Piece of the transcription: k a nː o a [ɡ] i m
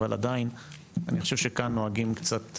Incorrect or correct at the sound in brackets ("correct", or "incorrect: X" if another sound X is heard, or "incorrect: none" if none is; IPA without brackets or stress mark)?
correct